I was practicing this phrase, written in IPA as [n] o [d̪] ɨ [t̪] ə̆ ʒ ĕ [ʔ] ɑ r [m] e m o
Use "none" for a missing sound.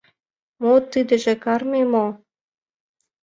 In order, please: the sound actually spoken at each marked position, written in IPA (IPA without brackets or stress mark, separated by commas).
m, t̪, d̪, k, m